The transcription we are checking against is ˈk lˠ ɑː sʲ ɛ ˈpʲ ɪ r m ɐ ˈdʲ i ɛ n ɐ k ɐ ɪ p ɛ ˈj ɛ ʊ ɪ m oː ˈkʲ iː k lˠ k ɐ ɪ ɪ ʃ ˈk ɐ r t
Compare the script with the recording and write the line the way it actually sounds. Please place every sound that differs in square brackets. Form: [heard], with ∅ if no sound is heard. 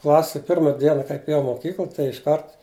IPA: ˈk lˠ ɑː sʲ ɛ ˈpʲ ɪ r m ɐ ˈdʲ i ɛ n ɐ k ɐ ɪ p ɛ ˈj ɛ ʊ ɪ m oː ˈkʲ iː k lˠ [t] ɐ ɪ ɪ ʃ ˈk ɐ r t